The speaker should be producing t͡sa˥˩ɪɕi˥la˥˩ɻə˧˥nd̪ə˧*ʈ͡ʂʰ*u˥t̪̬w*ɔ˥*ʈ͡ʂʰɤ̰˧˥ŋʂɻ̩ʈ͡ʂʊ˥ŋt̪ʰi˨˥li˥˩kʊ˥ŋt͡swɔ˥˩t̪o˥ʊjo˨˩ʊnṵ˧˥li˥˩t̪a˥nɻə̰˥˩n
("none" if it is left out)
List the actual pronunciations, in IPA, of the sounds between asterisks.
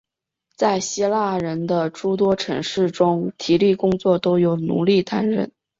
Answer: ʈ͡ʂ, ɔ˥

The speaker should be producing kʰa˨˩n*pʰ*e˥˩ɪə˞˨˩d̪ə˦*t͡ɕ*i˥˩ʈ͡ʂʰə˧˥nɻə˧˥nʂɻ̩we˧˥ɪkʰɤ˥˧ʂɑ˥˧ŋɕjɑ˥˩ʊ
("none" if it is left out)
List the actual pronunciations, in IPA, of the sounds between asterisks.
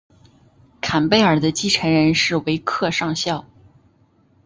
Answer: p, t͡ɕ

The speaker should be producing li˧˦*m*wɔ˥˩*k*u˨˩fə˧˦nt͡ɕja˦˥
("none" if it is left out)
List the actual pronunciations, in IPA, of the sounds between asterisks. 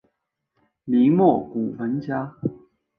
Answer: m, k

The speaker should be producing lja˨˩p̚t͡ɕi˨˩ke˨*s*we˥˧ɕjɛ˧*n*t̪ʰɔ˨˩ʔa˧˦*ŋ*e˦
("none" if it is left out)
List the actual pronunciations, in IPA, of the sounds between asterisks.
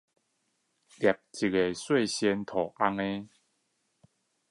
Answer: s, n, ŋ

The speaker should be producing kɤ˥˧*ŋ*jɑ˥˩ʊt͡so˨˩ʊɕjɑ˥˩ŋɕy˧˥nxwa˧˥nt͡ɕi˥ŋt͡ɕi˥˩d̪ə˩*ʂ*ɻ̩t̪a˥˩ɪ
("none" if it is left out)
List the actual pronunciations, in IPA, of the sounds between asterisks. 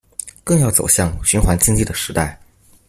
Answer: ŋ, ʂ

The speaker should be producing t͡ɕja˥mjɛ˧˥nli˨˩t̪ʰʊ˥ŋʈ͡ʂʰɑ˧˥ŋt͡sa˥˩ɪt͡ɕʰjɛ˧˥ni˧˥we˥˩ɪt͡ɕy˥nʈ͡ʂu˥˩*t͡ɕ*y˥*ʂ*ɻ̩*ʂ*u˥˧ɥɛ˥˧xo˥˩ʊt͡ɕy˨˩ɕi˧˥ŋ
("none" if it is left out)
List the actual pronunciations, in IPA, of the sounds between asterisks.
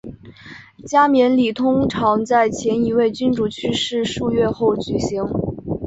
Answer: t͡ɕʰ, ʂ, ʂ

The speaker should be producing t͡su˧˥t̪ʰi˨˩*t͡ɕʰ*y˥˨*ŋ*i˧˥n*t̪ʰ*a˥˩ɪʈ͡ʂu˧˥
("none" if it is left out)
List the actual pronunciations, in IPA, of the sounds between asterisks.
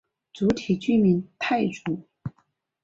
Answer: t͡ɕ, m, t̪ʰ

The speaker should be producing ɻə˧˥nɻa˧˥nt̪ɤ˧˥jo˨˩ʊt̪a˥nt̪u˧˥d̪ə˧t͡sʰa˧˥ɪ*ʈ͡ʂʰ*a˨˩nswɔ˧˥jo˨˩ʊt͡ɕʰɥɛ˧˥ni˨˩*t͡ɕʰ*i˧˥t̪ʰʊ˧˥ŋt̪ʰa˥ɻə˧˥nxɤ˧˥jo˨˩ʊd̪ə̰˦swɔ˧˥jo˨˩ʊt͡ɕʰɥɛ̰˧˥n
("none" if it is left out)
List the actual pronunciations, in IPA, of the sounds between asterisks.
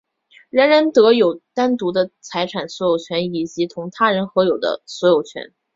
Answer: ʈ͡ʂʰ, t͡ɕ

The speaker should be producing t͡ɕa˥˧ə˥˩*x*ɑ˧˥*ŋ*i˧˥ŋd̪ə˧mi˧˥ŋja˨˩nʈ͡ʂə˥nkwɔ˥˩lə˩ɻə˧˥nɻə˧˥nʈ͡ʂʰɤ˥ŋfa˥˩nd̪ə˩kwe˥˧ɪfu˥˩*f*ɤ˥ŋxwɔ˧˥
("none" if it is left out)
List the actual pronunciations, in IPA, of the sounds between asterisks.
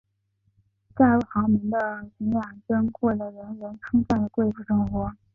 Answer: x, m, ʂ

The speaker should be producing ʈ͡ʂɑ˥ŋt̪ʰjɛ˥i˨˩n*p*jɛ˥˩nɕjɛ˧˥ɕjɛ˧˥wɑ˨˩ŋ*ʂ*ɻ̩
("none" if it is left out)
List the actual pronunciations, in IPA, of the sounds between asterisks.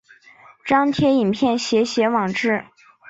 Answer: pʰ, ʈ͡ʂ

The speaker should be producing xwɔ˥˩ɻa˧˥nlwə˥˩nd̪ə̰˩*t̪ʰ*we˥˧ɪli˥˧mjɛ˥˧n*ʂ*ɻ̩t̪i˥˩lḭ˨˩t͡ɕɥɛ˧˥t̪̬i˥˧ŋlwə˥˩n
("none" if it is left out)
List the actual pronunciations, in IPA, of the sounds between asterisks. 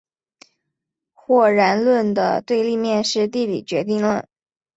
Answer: t̪, ʂ

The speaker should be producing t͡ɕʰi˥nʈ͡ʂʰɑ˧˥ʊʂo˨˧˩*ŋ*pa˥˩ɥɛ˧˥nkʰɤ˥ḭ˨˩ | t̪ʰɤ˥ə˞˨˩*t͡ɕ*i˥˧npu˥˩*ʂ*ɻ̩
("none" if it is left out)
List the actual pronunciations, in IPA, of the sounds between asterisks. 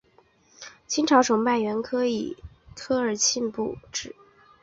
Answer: ŋ, t͡ɕʰ, ʈ͡ʂ

